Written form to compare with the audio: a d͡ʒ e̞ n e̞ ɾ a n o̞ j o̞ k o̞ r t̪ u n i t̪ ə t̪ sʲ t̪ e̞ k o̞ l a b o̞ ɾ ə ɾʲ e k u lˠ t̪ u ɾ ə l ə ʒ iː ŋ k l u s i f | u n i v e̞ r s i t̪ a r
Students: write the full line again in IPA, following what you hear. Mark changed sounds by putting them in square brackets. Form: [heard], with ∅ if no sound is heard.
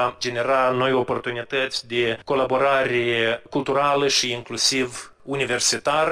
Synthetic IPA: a d͡ʒ e̞ n e̞ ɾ a n o̞ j o̞ [p] o̞ r t̪ u n i t̪ ə t̪ sʲ [d̪] e̞ k o̞ l a b o̞ ɾ [a] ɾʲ e k u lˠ t̪ u ɾ [a] l ə [ʃ] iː ŋ k l u s i [v] | u n i v e̞ r s i t̪ a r